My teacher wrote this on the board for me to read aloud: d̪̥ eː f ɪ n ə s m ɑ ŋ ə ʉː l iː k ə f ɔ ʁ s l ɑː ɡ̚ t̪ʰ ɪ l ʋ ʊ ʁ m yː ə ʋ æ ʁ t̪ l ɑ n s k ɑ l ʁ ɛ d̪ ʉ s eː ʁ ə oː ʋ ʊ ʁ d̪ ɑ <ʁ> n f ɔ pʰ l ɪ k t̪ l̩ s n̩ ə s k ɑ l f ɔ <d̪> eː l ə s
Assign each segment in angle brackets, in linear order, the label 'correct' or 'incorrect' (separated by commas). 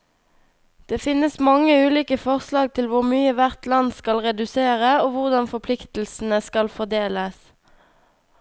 incorrect, correct